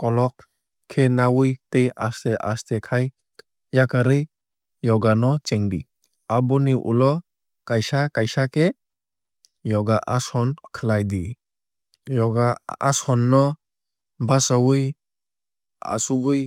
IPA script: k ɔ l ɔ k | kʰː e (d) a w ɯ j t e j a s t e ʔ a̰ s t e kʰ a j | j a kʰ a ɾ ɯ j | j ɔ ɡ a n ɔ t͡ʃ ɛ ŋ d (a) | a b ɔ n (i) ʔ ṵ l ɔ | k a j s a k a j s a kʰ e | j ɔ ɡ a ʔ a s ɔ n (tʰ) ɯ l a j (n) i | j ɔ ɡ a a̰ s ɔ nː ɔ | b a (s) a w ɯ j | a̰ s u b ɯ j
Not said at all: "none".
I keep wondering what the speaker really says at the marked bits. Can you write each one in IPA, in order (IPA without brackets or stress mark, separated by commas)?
n, i, i, kʰ, d, s